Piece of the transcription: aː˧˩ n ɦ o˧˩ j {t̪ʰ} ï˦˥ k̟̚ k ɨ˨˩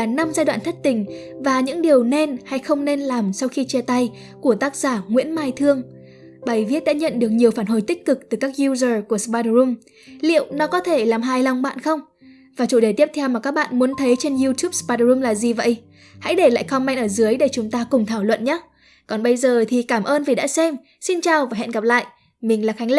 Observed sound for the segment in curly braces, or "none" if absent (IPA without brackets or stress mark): t̪